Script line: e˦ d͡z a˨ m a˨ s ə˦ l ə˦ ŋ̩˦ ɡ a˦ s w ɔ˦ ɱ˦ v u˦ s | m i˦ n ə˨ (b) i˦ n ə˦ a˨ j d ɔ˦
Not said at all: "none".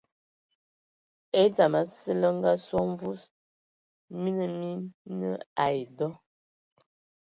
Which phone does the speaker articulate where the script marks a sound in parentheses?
m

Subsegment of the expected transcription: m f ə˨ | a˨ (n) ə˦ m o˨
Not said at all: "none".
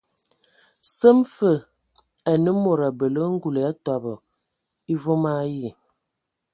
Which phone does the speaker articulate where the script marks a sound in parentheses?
n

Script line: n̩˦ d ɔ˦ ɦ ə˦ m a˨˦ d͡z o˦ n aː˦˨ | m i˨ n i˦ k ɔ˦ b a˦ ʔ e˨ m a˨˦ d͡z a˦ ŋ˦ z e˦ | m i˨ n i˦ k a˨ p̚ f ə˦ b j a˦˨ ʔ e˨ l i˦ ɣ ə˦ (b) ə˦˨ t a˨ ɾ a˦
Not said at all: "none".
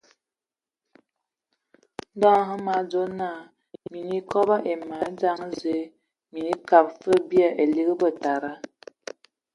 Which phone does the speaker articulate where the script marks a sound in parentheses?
b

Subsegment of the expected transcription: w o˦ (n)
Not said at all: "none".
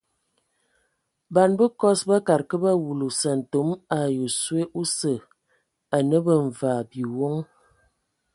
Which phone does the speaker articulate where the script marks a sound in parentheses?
ŋ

